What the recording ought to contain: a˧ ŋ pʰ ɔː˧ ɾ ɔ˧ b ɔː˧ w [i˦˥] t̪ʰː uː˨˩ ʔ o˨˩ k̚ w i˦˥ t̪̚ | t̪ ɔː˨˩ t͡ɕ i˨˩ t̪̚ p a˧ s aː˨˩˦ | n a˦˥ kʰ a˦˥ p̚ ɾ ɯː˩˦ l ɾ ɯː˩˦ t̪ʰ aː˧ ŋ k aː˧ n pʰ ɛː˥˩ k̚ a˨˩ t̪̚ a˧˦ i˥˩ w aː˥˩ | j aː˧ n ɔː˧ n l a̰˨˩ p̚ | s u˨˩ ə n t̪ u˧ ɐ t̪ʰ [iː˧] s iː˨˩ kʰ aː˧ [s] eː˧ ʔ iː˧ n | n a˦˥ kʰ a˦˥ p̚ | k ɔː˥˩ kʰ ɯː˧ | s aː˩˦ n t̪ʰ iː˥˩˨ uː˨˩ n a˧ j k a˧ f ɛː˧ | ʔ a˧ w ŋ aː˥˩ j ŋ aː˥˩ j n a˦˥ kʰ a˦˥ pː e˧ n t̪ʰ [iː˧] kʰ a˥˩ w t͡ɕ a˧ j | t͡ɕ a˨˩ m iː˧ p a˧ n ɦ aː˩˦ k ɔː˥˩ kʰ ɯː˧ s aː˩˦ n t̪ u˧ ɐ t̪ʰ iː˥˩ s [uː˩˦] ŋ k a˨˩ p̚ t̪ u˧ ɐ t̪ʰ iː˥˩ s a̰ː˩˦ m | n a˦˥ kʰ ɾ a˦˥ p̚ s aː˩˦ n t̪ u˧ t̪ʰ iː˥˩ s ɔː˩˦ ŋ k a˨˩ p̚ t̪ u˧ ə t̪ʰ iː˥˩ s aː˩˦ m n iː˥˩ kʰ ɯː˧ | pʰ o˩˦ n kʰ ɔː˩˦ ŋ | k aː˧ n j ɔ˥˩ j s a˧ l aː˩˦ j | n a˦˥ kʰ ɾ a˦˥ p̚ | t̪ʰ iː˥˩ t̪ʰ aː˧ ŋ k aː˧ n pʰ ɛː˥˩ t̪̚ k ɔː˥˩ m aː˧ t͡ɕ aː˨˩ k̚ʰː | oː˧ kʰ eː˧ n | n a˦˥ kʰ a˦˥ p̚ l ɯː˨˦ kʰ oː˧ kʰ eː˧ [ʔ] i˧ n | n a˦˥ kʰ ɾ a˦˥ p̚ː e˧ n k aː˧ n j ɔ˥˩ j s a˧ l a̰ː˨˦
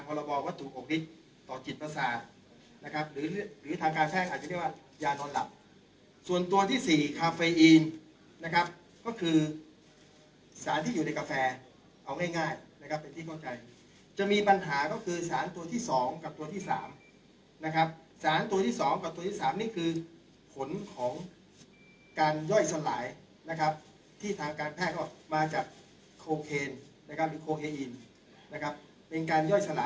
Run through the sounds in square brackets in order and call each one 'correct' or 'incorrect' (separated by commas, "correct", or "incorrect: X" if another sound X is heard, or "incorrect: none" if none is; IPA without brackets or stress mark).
incorrect: a˦˥, incorrect: iː˥˩, incorrect: f, incorrect: iː˥˩, incorrect: ɔː˩˦, correct